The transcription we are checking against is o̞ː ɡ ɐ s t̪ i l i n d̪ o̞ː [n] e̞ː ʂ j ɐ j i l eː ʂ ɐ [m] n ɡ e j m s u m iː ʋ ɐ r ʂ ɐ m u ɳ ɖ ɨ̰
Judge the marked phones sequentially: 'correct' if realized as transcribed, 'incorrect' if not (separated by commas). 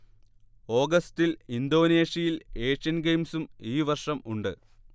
correct, incorrect